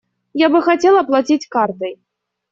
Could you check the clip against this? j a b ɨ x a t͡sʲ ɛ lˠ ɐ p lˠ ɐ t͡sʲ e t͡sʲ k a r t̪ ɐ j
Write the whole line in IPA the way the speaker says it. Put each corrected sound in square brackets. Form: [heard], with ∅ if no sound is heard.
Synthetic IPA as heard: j a b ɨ x a t͡sʲ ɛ lˠ ɐ p lˠ [a] t͡sʲ [i] t͡sʲ k a r t̪ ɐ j